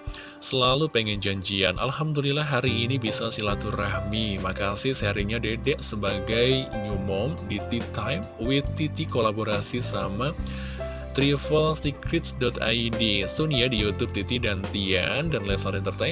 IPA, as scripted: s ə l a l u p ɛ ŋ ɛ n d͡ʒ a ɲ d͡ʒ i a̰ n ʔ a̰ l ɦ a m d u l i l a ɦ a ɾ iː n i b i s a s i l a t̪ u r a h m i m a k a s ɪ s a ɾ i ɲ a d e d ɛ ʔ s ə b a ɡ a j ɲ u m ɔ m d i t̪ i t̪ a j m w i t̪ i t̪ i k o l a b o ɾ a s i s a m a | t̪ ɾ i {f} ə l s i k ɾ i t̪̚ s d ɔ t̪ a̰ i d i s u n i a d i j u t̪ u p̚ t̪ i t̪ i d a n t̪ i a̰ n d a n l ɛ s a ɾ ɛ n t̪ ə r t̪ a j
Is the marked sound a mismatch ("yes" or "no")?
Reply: no